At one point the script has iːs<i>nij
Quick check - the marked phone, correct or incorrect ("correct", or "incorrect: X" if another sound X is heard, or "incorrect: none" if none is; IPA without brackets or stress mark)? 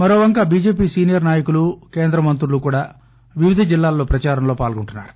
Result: incorrect: iː